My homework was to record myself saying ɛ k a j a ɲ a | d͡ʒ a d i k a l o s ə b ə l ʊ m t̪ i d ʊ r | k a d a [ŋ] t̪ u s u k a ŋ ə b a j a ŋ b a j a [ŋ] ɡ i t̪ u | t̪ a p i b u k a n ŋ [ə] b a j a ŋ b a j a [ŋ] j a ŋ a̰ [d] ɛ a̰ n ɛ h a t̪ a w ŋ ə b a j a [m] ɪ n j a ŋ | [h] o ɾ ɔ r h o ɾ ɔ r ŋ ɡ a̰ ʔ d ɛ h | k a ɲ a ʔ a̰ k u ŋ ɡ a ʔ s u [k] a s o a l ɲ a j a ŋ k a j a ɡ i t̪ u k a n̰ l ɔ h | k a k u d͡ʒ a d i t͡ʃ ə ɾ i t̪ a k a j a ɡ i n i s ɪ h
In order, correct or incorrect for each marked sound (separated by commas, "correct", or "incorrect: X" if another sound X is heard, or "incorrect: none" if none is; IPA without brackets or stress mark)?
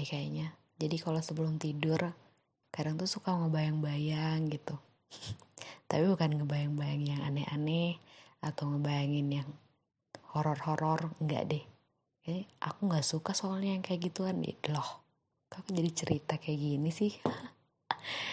correct, correct, correct, correct, incorrect: n, incorrect: ŋ, correct, correct